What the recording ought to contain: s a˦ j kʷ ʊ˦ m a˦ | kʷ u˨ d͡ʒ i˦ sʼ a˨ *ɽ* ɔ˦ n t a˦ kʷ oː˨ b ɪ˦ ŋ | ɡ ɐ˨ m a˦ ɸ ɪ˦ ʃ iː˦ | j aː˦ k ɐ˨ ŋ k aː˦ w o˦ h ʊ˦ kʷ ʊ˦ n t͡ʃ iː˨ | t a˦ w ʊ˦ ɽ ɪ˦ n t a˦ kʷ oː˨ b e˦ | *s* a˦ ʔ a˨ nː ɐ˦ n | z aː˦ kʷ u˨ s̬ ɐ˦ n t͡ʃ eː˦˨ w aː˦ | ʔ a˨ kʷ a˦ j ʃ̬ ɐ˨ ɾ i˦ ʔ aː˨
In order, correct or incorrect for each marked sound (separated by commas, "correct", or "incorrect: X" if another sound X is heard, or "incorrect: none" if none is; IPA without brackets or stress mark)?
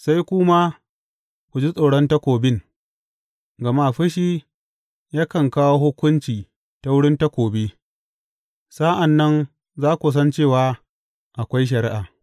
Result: correct, correct